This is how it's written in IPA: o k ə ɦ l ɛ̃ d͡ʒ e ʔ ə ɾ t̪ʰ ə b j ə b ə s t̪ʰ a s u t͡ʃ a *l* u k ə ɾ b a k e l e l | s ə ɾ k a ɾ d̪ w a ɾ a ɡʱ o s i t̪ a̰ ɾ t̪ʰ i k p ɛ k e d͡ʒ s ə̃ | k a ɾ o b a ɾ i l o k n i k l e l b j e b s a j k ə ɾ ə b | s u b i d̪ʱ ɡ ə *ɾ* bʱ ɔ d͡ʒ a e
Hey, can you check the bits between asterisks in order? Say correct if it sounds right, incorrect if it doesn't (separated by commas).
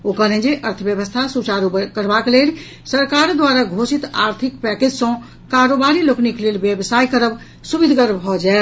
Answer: incorrect, correct